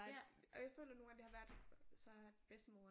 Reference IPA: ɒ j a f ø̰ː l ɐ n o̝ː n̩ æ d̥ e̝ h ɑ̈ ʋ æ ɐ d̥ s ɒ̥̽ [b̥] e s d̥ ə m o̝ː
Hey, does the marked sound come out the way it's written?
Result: yes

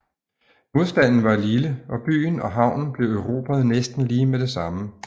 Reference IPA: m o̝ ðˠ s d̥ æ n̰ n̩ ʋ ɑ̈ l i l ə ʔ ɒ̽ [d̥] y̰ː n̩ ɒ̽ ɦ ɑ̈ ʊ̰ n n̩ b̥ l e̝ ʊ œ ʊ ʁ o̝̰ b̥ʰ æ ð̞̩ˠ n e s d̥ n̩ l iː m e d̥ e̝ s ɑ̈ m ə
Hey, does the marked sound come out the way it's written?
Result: no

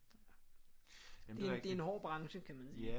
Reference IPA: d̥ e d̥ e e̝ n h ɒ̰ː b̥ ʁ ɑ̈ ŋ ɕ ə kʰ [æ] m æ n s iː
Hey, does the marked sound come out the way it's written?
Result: yes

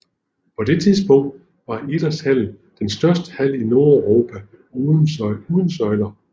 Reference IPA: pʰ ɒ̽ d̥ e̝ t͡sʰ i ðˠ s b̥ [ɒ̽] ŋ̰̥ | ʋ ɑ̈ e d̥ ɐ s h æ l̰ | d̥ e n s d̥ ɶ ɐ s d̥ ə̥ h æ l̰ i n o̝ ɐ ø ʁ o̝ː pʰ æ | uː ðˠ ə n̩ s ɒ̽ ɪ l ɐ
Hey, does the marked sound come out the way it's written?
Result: no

